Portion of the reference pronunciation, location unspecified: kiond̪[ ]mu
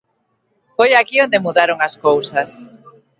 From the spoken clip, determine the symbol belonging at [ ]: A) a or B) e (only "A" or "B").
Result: B